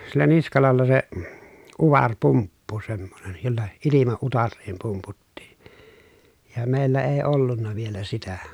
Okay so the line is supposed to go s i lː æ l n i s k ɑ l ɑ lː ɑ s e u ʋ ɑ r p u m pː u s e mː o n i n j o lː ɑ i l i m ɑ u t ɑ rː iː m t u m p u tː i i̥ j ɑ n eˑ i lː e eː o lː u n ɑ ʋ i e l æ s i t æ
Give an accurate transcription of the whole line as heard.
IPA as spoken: s i lː æ n i s k ɑ l ɑ lː ɑ s e u ʋ ɑ r p u m pː u s e mː o n e n j o lː ɑ i l i m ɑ u t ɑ rː iː m p u m p u tː i i̥ j ɑ m eˑ i lː æ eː o lː u nː ɑ ʋ i e l æ s i t æ